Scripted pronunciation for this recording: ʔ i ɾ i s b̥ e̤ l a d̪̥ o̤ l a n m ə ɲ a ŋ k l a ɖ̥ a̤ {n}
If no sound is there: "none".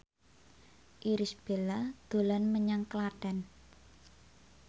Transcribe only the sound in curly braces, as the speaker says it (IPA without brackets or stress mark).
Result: n